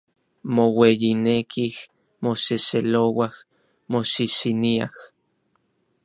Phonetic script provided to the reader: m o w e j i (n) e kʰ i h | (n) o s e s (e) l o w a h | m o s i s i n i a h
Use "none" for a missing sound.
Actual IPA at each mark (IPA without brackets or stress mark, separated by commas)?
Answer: n, m, e